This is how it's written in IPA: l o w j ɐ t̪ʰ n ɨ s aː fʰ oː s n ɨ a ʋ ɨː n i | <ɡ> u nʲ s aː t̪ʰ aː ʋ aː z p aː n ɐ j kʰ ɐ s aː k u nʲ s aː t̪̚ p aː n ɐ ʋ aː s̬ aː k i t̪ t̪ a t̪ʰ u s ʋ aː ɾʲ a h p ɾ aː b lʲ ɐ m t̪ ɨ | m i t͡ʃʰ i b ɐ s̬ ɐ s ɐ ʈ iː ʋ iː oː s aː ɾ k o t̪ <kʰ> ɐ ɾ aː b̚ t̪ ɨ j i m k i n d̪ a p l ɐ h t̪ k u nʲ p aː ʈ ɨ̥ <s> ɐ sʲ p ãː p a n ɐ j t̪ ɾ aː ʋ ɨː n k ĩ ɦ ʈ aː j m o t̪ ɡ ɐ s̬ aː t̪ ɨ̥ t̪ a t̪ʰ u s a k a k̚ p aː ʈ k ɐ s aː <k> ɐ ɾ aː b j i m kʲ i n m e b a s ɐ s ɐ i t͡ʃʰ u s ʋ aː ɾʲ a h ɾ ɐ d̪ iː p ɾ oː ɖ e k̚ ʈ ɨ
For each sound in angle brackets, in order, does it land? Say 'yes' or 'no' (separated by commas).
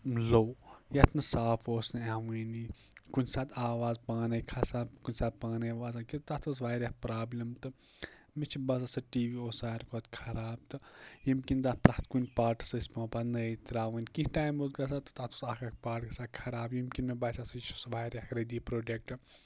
no, yes, yes, no